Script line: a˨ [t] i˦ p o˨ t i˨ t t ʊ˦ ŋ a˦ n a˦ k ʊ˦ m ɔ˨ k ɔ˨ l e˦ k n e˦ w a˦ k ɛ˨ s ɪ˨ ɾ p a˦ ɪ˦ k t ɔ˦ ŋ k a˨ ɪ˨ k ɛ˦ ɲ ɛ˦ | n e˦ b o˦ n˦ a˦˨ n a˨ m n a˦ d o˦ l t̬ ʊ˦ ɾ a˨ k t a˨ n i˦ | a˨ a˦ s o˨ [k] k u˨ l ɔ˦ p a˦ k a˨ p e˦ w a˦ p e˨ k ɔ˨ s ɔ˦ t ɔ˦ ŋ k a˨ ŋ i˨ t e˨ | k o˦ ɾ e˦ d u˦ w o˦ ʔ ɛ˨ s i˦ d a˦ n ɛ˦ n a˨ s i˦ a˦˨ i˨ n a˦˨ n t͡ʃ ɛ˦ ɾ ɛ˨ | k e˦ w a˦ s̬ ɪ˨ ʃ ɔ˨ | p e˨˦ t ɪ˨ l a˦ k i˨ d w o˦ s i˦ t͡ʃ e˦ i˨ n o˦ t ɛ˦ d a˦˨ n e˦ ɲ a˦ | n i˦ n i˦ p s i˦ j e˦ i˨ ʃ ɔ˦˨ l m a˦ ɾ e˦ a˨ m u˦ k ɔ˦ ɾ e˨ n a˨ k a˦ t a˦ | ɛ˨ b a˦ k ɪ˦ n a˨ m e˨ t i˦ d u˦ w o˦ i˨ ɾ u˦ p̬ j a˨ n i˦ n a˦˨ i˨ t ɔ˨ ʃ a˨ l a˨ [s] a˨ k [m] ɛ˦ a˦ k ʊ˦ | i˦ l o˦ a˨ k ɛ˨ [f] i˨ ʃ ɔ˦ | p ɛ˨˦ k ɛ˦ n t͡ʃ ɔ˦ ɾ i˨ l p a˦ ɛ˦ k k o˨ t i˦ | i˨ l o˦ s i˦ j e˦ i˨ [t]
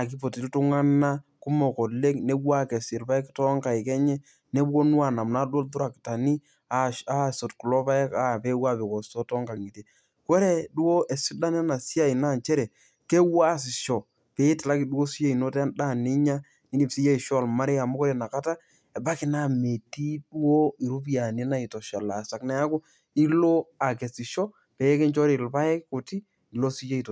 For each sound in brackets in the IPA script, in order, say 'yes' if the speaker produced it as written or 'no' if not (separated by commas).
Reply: no, no, yes, no, no, yes